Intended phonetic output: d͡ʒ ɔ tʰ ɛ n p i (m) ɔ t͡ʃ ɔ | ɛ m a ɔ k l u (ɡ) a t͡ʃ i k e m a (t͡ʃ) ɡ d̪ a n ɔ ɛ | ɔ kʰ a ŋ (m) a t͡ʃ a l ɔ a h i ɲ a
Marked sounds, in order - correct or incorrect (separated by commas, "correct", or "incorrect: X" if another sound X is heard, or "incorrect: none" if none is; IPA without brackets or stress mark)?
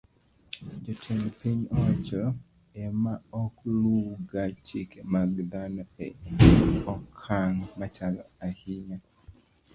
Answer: incorrect: ɲ, correct, incorrect: none, correct